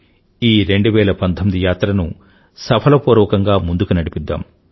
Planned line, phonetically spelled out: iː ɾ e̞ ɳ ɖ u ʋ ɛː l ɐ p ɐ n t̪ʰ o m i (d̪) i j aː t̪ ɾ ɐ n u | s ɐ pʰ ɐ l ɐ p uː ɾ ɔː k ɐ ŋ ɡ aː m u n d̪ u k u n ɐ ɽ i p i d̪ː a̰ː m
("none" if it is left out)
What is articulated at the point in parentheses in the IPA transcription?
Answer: d̪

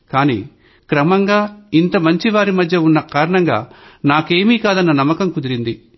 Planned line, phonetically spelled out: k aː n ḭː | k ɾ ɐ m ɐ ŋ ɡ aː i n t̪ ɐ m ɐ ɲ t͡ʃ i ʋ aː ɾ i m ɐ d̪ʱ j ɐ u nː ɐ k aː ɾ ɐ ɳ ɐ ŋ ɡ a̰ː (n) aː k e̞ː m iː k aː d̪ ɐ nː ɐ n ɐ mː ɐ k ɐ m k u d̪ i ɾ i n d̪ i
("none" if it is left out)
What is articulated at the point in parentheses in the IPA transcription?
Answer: n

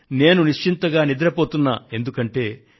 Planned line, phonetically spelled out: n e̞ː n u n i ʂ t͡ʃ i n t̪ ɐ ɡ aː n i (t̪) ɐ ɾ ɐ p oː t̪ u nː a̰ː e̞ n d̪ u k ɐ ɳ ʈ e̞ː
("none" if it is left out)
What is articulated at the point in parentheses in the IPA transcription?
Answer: d̪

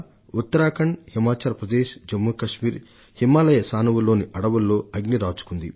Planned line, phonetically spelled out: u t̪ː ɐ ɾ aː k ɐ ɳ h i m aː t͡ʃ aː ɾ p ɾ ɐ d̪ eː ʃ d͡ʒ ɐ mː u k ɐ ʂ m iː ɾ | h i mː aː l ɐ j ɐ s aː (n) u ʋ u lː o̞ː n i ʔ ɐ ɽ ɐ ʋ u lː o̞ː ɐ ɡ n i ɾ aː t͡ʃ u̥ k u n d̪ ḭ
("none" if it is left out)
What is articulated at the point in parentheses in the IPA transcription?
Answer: n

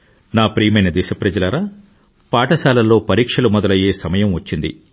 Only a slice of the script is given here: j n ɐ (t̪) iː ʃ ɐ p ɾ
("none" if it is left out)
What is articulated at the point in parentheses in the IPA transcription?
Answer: d̪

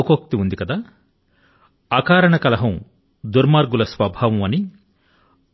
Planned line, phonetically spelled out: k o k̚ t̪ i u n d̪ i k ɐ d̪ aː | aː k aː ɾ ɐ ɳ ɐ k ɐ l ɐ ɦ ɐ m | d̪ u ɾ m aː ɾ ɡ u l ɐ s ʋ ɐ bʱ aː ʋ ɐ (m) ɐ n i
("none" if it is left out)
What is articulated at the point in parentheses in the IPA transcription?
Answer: m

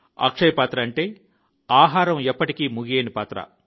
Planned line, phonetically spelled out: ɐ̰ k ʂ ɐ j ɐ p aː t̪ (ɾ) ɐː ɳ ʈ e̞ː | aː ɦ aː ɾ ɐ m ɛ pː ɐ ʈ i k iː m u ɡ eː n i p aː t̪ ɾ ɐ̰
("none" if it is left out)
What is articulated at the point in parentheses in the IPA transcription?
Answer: ɾ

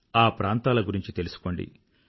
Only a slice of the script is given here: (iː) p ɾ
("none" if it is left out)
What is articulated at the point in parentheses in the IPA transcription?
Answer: aː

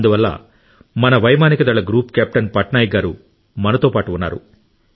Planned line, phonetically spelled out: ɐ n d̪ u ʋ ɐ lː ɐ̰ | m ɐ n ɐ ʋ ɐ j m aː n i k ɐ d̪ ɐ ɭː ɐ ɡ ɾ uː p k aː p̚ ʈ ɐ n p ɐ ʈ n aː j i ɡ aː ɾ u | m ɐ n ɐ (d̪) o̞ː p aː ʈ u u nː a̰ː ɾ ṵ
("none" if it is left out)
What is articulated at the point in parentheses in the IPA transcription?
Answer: t̪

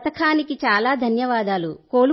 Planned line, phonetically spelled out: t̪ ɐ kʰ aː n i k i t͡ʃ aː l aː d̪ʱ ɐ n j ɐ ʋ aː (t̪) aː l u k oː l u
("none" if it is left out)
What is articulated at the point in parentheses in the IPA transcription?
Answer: d̪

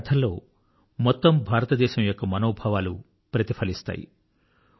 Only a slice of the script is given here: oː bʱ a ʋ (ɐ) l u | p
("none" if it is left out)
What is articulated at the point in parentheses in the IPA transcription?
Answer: a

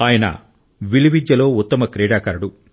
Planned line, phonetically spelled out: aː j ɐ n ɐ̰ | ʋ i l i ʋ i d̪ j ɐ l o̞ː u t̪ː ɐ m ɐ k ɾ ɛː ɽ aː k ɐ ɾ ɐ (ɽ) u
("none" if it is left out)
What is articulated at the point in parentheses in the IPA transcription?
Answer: ɽ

